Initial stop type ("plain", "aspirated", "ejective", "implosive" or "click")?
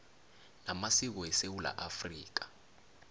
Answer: plain